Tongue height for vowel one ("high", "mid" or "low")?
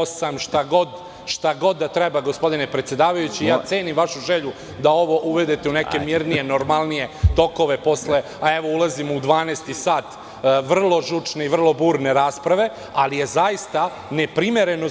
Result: low